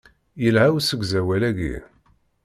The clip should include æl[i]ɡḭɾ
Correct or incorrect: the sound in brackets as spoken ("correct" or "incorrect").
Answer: incorrect